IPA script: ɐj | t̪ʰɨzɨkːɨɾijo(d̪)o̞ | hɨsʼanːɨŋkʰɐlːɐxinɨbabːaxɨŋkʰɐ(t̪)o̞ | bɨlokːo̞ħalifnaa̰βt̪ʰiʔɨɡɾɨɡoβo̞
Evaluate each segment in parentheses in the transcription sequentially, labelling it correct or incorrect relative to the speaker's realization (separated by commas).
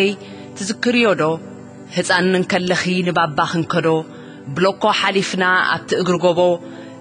correct, incorrect